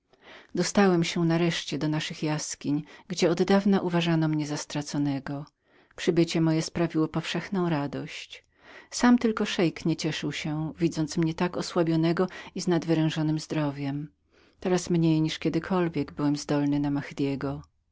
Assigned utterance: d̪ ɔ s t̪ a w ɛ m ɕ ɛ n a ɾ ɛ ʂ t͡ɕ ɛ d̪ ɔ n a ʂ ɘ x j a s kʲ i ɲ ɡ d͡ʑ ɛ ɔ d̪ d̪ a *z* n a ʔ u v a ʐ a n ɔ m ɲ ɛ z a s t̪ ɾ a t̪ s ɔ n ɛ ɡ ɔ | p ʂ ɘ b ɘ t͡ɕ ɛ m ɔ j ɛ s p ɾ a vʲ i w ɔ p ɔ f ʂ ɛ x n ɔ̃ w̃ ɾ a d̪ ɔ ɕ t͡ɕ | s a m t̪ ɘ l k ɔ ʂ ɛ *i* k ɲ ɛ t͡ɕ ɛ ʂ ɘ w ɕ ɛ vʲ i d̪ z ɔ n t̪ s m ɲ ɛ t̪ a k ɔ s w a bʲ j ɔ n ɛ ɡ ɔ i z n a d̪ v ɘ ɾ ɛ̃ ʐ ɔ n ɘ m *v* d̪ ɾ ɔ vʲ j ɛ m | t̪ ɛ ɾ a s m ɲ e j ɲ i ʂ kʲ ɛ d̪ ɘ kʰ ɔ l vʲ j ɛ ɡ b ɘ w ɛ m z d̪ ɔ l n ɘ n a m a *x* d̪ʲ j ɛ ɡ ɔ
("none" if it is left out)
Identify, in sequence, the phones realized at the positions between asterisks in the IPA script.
v, j, z, x

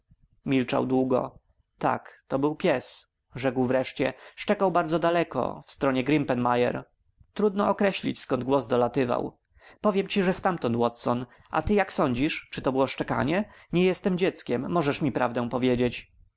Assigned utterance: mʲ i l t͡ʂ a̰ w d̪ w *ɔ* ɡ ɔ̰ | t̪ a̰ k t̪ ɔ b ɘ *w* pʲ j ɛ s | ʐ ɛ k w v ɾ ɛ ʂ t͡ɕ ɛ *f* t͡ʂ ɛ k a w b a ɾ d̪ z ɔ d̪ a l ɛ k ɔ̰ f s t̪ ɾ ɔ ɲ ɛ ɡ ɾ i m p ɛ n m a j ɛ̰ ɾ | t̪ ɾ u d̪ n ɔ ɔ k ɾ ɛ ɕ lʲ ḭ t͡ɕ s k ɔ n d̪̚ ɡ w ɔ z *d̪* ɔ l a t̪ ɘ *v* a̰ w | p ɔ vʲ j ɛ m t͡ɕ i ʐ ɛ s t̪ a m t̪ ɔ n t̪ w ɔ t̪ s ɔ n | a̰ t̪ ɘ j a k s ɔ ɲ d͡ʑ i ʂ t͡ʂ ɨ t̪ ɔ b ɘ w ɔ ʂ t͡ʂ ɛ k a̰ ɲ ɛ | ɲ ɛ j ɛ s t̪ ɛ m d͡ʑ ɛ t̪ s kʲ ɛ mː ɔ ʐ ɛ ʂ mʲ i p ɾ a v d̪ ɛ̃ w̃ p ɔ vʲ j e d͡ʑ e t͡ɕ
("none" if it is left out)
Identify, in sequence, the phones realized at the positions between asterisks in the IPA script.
u, w, ʂ, d̪, v

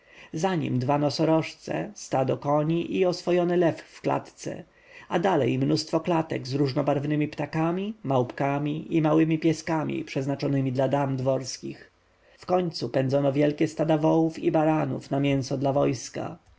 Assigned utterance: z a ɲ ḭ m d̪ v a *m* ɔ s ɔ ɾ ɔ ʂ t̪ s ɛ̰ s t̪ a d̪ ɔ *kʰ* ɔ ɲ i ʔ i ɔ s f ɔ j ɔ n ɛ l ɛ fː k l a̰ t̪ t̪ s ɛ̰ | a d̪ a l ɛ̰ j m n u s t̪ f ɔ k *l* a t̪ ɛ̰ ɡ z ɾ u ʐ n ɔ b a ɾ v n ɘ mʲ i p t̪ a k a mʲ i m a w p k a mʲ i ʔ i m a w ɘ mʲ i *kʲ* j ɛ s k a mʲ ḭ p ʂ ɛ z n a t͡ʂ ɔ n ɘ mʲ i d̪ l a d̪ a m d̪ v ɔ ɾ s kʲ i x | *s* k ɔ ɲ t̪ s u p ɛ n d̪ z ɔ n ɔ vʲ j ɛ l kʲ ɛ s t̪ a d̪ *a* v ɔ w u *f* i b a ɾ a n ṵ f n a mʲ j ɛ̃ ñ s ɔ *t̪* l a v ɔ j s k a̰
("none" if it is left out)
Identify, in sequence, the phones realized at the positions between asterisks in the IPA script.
n, k, l, pʲ, f, a, f, d̪

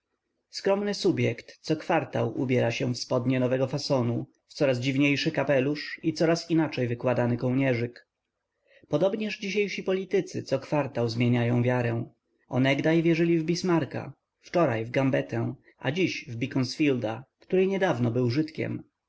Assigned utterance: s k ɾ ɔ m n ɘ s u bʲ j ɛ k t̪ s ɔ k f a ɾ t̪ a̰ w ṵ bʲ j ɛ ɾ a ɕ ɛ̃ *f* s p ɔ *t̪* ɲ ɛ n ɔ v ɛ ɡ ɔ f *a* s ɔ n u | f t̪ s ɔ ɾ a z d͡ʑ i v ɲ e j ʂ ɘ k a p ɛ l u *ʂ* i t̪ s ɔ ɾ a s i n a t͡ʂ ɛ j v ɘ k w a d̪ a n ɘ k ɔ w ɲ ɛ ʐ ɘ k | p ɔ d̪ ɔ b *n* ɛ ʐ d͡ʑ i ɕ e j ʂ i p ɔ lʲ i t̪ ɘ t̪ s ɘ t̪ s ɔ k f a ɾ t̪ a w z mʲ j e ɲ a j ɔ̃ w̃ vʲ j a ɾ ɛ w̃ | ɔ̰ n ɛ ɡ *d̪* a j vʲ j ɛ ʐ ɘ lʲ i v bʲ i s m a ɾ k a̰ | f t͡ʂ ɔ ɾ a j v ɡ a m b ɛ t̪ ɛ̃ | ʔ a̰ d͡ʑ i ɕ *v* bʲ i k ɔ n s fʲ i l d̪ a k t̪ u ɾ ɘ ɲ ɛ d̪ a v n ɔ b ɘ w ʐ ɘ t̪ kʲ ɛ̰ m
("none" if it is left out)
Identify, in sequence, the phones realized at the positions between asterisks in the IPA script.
f, d̪, a, ʂ, ɲ, d̪, v

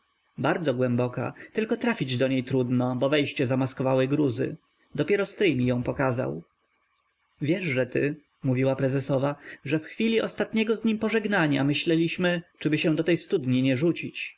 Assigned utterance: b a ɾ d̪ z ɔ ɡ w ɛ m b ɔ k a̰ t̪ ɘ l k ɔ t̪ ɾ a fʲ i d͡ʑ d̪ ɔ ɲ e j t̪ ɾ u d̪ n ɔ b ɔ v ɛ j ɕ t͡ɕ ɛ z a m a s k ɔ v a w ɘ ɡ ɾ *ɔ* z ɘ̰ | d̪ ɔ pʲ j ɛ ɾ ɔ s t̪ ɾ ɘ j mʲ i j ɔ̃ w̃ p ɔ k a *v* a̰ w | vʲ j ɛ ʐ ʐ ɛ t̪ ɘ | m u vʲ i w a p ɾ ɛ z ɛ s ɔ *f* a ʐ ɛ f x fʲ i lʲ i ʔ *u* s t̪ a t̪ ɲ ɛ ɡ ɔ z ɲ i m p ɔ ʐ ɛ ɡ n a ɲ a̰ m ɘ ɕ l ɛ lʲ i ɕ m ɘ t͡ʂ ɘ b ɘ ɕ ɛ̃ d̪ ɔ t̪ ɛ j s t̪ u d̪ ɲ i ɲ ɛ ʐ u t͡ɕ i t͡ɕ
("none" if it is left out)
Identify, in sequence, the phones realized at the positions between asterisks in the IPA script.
u, z, v, ɔ

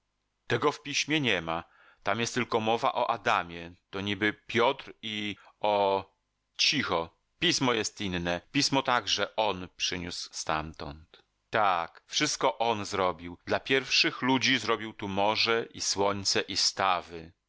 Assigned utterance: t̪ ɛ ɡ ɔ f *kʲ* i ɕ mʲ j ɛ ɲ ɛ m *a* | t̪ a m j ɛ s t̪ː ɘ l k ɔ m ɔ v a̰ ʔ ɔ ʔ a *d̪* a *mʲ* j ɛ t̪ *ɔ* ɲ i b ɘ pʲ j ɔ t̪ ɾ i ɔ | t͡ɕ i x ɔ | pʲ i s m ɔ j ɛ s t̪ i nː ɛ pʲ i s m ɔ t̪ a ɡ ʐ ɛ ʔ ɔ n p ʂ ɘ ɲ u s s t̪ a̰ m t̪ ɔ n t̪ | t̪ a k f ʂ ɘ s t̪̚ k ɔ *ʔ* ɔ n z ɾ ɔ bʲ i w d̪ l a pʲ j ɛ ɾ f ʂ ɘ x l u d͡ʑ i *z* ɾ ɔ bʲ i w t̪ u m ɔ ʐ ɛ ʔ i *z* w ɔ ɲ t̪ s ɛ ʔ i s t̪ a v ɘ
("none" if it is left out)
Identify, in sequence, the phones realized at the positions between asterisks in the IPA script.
pʲ, a, d̪, mʲ, ɔ, ʔ, z, s

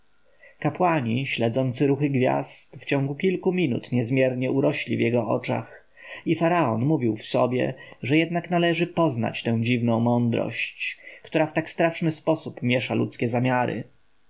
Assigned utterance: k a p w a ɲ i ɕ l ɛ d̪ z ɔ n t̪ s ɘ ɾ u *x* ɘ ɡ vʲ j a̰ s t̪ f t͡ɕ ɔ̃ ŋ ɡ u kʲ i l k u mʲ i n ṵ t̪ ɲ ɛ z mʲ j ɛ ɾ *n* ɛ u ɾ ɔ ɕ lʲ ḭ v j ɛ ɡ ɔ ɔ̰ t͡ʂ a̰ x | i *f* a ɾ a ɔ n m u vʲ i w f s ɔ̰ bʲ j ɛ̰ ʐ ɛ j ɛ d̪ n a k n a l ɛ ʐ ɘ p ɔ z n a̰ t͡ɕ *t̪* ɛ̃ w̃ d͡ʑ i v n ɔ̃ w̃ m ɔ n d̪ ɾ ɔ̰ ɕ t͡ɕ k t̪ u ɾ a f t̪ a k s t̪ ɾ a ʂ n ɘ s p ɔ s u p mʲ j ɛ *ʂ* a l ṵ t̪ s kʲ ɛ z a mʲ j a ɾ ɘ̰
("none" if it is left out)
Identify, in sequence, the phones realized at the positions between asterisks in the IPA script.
x, ɲ, f, t̪, ʂ

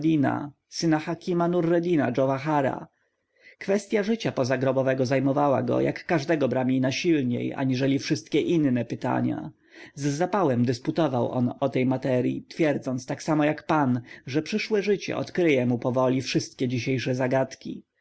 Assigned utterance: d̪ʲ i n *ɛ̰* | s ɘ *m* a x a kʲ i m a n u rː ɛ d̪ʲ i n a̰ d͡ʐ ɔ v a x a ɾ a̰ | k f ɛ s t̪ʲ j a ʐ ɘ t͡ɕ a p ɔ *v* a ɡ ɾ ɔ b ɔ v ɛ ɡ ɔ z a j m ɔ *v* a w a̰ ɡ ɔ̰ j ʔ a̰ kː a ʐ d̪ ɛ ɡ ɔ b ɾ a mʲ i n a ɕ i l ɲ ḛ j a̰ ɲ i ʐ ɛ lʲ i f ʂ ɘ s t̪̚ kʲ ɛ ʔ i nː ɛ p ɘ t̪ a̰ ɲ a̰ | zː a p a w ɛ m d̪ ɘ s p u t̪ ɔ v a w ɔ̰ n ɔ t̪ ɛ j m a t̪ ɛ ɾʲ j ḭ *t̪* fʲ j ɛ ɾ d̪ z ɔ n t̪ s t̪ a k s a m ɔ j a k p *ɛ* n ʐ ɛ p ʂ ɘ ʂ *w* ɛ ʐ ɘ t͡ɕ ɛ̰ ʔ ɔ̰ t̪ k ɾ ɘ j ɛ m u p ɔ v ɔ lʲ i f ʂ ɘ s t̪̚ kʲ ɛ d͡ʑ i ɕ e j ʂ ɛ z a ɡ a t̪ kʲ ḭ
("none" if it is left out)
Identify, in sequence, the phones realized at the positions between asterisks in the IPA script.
a̰, n, z, v, t̪, a, w

